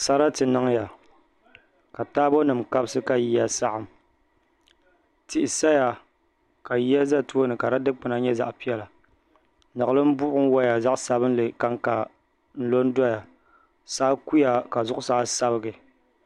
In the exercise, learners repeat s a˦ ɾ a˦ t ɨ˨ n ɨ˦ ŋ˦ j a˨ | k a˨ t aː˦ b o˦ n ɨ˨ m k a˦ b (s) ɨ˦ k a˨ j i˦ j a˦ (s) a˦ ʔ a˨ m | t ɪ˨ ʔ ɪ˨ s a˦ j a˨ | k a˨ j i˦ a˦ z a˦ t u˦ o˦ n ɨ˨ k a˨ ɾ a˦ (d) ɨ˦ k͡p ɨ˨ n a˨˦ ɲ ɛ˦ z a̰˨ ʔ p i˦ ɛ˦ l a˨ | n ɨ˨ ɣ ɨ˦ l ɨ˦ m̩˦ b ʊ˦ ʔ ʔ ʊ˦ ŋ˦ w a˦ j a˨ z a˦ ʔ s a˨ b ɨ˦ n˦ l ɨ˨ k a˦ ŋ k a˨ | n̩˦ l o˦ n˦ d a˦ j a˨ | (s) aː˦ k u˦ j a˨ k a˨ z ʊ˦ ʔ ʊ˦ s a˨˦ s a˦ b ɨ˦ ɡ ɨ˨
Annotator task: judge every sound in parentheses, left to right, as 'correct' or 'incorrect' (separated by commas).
correct, correct, correct, correct